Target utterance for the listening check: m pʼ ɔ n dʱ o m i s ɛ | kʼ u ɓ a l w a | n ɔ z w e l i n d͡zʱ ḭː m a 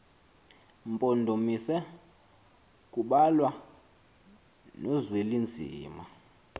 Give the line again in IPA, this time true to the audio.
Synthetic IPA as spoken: m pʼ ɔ n dʱ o m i s ɛ | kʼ u ɓ a l w a | n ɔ z w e l i n d͡zʱ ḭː m a

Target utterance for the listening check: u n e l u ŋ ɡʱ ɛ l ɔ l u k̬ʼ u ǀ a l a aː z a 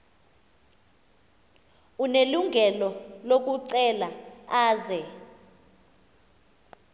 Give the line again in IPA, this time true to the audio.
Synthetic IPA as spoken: u n e l u ŋ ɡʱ ɛ l ɔ l o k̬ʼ u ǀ ɛ l a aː z ɛ

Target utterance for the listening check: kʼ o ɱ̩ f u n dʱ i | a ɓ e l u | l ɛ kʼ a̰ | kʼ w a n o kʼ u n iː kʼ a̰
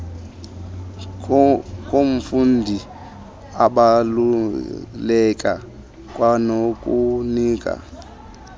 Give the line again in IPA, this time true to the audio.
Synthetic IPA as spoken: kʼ o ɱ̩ f u n dʱ i | a ɓ a l u | l ɛ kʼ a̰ | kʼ w a n o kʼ u n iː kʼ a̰

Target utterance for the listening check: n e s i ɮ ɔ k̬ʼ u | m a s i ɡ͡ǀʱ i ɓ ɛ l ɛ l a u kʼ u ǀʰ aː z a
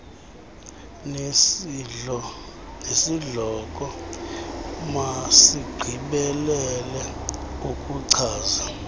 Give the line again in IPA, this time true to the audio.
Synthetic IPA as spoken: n e s i ɮ ɔ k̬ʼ ɔ | m a s i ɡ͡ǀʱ i ɓ ɛ l ɛ l ɛ u kʼ u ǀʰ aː z a

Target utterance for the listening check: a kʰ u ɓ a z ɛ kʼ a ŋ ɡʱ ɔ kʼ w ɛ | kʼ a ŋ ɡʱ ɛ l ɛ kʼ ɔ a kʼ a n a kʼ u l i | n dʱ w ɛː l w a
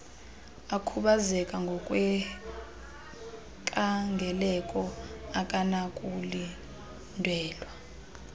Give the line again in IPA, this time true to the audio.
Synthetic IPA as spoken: a kʰ u ɓ a z ɛ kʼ a ŋ ɡʱ ɔ kʼ w ɛ | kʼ a ŋ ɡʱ ɛ l ɛ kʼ ɔ a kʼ a n a kʼ u l i | n dʱ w ɛː l w a

